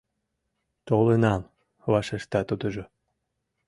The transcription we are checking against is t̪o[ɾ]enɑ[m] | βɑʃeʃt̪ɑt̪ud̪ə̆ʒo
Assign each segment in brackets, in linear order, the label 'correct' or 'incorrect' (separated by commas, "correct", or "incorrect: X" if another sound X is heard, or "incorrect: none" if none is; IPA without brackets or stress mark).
incorrect: l, correct